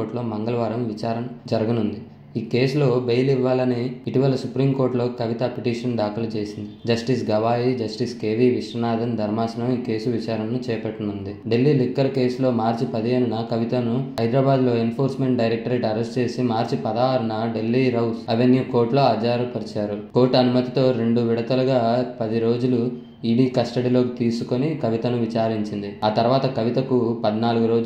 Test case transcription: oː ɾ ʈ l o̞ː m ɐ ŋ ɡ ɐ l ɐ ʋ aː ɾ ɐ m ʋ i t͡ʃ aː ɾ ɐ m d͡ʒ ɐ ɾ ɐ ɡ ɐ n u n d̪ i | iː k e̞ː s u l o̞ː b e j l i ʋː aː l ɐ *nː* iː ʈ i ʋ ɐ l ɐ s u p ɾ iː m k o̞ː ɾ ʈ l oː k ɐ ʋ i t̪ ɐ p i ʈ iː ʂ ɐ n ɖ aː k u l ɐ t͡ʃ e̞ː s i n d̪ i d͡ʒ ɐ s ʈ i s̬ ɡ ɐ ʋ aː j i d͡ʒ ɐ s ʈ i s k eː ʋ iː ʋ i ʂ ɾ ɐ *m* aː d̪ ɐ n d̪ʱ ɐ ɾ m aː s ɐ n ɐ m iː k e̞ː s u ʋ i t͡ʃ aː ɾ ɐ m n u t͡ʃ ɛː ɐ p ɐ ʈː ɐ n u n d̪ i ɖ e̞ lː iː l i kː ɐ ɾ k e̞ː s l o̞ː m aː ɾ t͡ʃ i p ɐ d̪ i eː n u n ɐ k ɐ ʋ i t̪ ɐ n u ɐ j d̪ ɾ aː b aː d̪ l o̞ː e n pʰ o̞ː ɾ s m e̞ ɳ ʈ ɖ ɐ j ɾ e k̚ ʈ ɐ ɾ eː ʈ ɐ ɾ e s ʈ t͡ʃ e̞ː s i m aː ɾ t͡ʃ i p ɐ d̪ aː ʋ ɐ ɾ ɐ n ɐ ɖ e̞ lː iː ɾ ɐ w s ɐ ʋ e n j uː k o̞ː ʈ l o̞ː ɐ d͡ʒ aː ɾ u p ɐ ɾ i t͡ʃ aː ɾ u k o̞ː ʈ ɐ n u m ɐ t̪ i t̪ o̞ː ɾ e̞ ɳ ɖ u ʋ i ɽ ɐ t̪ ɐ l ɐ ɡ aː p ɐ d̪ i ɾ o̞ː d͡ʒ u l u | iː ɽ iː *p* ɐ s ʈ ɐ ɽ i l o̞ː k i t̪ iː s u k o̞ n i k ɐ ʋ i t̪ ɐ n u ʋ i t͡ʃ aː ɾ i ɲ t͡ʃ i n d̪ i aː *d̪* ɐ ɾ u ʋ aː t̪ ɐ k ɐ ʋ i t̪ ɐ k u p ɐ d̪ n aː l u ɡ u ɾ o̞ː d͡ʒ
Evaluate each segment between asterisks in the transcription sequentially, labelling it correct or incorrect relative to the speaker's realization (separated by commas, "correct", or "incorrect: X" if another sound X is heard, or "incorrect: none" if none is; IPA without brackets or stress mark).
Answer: incorrect: n, incorrect: n, incorrect: k, incorrect: t̪